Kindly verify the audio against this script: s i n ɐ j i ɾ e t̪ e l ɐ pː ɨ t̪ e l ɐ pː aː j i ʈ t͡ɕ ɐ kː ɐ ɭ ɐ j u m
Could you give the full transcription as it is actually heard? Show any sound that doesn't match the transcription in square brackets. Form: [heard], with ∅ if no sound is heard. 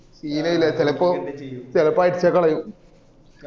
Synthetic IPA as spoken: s [iː] n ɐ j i [l] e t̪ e l ɐ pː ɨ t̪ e l ɐ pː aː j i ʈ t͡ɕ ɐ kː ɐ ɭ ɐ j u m

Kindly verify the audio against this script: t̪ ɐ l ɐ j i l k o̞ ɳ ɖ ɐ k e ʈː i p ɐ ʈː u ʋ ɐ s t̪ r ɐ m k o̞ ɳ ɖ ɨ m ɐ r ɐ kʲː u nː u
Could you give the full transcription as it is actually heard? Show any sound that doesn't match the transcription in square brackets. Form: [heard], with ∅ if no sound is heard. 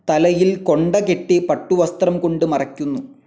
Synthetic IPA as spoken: t̪ ɐ l ɐ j i l k o̞ ɳ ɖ ɐ k e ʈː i p ɐ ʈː u ʋ ɐ s t̪ r ɐ m k o̞ ɳ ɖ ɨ m ɐ r ɐ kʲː u nː u

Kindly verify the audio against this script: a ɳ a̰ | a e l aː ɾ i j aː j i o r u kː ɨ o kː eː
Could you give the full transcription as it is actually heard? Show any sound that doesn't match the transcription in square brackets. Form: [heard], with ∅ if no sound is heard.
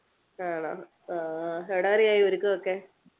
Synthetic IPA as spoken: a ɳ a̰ | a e [ɽ] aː ɾ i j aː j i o [ɾ] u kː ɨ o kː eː

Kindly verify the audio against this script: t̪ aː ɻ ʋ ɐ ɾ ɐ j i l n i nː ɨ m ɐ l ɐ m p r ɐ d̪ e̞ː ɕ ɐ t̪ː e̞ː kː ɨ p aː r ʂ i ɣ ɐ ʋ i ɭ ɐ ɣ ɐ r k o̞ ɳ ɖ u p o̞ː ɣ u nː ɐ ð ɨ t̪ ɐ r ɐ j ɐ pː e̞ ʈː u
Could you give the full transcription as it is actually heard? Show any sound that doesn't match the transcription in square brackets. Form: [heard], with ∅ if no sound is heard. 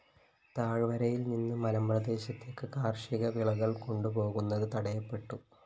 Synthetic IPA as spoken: t̪ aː ɻ ʋ ɐ ɾ ɐ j i l n i nː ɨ m ɐ l ɐ m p r ɐ d̪ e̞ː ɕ ɐ t̪ː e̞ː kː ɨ [k] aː r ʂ i ɣ ɐ ʋ i ɭ ɐ ɣ ɐ [ɭ] k o̞ ɳ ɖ u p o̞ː ɣ u nː ɐ ð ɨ t̪ ɐ [ɽ] ɐ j ɐ pː e̞ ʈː u

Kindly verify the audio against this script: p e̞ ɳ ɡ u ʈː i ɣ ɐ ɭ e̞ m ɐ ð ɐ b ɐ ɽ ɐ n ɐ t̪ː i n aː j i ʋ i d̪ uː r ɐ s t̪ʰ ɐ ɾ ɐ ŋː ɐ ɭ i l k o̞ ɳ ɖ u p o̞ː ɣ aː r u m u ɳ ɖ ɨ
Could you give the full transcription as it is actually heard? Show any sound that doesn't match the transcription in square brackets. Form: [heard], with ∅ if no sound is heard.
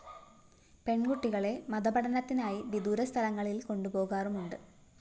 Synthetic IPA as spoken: p e̞ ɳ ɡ u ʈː i ɣ ɐ ɭ e̞ m ɐ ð ɐ b ɐ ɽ ɐ n ɐ t̪ː i n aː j i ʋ i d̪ uː [ɾ] ɐ s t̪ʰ ɐ [l] ɐ ŋː ɐ ɭ i l k o̞ ɳ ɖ u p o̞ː ɣ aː r u m u ɳ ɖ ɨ

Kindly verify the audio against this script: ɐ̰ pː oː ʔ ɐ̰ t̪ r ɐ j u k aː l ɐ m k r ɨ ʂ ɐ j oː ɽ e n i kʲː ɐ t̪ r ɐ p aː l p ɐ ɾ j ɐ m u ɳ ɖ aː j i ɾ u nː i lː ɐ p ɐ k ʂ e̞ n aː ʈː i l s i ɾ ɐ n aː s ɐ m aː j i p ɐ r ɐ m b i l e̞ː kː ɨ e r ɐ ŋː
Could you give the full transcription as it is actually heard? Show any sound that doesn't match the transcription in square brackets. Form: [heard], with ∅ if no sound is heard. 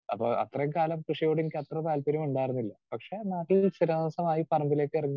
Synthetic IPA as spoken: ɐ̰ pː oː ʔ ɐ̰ t̪ r ɐ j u k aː l ɐ m k r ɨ ʂ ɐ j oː ɽ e n i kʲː ɐ t̪ r ɐ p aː l p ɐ ɾ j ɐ m u ɳ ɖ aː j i ɾ u nː i lː ɐ p ɐ k ʂ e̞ n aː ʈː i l s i ɾ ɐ n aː s ɐ m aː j i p ɐ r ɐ m b i l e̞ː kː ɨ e r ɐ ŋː

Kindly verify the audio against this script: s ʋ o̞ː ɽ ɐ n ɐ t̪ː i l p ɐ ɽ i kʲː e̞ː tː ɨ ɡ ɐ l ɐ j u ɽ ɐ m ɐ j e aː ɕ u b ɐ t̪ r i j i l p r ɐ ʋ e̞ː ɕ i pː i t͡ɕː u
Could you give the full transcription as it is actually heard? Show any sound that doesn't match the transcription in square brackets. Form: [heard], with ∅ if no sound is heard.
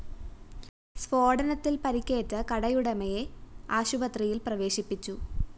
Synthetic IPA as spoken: s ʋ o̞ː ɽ ɐ n ɐ t̪ː i l p ɐ [ɾ] i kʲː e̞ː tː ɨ [k] ɐ [ɽ] ɐ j u ɽ ɐ m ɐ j e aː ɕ u b ɐ t̪ r i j i l p r ɐ ʋ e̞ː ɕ i pː i t͡ɕː u

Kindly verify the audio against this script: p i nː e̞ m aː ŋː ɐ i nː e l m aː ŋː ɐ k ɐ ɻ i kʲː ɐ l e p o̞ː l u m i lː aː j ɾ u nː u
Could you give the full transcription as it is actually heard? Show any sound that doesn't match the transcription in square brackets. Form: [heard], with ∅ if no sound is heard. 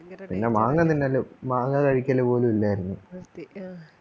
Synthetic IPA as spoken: p i nː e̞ m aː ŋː ɐ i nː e l m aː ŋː ɐ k ɐ ɻ i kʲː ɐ l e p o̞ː l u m i lː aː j ɾ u nː u

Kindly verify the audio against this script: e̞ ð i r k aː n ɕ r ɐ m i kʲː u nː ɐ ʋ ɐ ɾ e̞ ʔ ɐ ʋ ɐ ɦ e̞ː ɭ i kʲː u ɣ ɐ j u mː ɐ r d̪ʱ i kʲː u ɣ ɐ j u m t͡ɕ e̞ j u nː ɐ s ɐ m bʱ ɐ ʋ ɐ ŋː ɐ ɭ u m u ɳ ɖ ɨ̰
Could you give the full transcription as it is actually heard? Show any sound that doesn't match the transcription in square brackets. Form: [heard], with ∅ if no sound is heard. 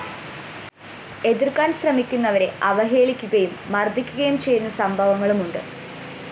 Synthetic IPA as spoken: e̞ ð i r k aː n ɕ r ɐ m i kʲː u nː ɐ ʋ ɐ ɾ e̞ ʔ ɐ ʋ ɐ ɦ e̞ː ɭ i kʲː u ɣ ɐ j u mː ɐ r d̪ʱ i kʲː u ɣ ɐ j u m t͡ɕ e̞ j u nː ɐ s ɐ m bʱ ɐ ʋ ɐ ŋː ɐ ɭ u m u ɳ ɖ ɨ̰

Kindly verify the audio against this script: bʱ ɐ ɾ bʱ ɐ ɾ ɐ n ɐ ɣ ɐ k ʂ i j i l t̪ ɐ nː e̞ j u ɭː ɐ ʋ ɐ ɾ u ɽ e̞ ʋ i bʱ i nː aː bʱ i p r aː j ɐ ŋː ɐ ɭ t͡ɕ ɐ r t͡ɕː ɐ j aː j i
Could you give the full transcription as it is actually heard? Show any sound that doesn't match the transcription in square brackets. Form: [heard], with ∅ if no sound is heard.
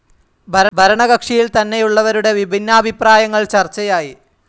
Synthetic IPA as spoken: bʱ ɐ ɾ bʱ ɐ ɾ ɐ [ɳ] ɐ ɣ ɐ k ʂ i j i l t̪ ɐ nː e̞ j u ɭː ɐ ʋ ɐ ɾ u ɽ e̞ ʋ i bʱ i nː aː bʱ i p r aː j ɐ ŋː ɐ ɭ t͡ɕ ɐ r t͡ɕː ɐ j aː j i

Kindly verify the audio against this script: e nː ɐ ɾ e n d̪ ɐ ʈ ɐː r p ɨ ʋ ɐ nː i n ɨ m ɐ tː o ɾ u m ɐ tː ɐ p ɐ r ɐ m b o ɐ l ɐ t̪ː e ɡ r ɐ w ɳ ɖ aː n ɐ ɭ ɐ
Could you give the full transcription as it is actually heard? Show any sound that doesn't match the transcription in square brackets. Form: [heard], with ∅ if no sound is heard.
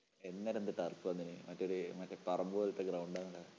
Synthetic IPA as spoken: e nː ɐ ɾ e n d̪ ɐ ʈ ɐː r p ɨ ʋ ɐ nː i n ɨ m ɐ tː o ɾ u m ɐ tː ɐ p ɐ r ɐ m b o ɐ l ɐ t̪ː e ɡ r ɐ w ɳ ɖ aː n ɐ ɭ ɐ

